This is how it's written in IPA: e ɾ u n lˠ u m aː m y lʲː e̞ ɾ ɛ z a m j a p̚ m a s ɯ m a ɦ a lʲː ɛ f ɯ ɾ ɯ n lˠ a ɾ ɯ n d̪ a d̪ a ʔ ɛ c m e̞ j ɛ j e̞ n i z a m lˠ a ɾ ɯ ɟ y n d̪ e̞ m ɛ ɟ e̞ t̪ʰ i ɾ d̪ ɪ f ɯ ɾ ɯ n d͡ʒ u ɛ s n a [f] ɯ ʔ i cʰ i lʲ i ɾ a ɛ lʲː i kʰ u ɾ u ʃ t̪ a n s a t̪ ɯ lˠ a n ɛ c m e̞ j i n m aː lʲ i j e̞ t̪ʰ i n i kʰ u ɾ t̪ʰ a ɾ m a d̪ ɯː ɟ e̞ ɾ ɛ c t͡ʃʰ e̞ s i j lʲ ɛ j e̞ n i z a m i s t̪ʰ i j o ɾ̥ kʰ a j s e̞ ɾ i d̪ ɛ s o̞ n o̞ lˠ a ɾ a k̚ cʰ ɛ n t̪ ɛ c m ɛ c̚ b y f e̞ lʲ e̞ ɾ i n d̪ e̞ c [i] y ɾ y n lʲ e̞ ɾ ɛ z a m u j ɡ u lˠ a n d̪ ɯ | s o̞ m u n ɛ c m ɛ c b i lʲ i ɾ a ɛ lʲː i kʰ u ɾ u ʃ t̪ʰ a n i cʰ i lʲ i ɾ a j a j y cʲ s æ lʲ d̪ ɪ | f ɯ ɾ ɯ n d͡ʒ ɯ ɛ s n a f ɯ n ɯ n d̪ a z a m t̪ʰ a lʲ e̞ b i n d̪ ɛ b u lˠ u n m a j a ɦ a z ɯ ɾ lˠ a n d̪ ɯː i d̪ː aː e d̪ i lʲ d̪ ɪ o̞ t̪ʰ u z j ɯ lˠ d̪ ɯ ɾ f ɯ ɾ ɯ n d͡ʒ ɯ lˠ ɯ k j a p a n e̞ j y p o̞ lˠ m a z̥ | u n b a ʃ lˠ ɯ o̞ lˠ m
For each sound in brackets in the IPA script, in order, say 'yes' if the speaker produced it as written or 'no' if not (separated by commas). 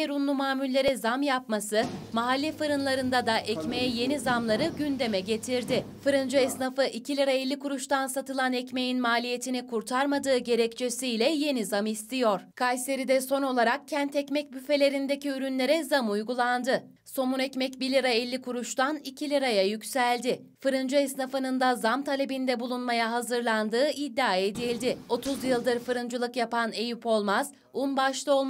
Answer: yes, yes